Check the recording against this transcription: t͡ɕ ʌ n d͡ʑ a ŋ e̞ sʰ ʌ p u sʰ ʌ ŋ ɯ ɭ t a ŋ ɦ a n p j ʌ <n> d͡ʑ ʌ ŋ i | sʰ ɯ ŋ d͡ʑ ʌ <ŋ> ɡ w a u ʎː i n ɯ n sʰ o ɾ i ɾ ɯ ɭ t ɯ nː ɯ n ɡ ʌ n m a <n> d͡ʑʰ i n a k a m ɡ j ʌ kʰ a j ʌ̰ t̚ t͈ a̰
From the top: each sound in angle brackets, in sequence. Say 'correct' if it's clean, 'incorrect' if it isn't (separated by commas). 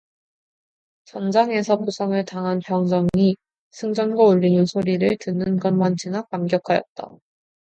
incorrect, incorrect, correct